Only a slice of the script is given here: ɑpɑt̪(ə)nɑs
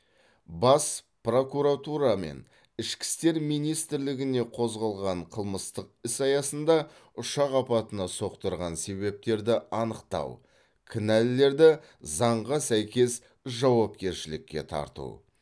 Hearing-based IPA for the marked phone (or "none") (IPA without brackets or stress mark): ə